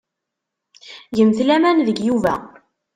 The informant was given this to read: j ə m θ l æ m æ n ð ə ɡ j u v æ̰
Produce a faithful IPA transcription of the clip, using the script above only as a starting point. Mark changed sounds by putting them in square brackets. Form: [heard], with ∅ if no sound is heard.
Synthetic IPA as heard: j ə m θ l æ m æ n ð ə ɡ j u v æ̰